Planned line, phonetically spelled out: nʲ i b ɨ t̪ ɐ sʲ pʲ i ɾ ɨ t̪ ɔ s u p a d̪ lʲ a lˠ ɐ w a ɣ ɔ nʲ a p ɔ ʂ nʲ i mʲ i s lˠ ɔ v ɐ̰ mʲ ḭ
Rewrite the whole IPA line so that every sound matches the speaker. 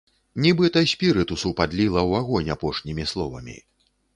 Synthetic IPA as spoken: nʲ i b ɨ t̪ ɐ sʲ pʲ i ɾ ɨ t̪ u s u p a d̪ lʲ i lˠ ɐ w a ɣ ɔ nʲ a p ɔ ʂ nʲ i mʲ i s lˠ ɔ v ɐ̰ mʲ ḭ